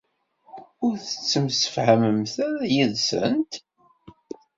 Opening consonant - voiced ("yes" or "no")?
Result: yes